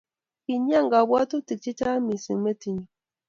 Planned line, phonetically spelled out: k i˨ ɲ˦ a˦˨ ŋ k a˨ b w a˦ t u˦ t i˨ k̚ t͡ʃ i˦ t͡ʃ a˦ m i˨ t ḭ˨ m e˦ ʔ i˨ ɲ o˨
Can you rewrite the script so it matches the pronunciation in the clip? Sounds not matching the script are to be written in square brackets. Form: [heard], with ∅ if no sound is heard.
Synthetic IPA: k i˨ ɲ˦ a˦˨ ŋ [ɡ] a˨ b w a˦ t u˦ t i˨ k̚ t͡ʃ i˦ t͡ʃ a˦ m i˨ [s] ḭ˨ m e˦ [t] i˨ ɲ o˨